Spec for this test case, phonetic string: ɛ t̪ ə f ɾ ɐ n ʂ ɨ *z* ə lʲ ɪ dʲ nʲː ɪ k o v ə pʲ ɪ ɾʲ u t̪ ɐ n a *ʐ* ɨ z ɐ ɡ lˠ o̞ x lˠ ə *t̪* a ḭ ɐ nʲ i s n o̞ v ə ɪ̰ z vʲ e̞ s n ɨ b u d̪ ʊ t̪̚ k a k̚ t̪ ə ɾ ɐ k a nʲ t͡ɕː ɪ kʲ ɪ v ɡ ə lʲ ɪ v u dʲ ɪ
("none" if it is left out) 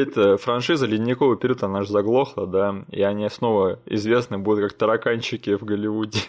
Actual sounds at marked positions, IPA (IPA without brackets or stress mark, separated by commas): z, ʐ, d̪